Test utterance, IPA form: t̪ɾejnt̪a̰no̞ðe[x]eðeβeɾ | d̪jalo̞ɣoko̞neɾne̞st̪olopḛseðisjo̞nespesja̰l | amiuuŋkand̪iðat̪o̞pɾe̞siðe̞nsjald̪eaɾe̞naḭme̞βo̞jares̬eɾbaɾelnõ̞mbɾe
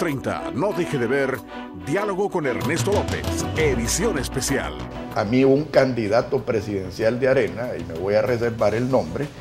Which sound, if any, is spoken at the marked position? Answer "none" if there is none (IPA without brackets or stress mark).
x